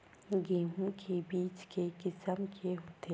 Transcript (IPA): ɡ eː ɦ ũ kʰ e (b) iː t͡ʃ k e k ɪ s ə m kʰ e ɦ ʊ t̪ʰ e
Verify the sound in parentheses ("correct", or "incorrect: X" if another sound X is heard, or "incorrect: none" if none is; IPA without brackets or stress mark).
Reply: correct